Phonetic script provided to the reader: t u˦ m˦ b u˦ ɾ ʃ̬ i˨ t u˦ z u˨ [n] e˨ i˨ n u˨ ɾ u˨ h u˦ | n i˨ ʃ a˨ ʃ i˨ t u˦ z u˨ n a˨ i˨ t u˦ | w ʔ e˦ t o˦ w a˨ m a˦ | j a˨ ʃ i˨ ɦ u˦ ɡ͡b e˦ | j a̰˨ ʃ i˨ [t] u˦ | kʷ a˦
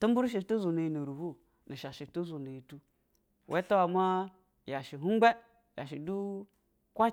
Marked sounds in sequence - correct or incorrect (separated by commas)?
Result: correct, incorrect